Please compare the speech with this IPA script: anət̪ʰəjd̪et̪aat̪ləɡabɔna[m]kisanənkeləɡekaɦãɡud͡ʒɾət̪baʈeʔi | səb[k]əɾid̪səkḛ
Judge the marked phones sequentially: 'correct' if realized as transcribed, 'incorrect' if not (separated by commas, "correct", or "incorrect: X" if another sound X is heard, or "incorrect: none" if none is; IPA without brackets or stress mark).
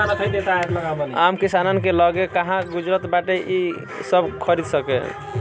correct, incorrect: kʰ